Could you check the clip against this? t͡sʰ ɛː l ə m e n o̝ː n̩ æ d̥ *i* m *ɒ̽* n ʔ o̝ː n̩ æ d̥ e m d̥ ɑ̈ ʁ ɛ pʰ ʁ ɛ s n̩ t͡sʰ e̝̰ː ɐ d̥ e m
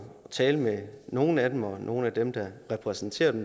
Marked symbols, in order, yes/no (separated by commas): no, yes